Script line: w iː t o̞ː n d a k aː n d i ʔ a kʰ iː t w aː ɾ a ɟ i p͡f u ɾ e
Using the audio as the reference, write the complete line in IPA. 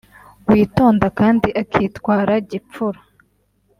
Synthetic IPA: w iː t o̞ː n d a k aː n d i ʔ a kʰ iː t w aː ɾ a ɟ i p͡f u ɾ a